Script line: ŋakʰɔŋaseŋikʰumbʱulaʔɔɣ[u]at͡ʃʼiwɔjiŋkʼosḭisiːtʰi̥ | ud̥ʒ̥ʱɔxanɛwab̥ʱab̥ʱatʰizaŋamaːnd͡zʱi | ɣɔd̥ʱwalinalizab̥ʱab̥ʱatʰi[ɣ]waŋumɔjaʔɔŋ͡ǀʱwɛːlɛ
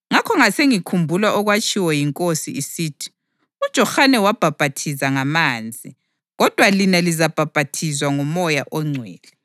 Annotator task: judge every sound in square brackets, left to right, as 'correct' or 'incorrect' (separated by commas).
incorrect, incorrect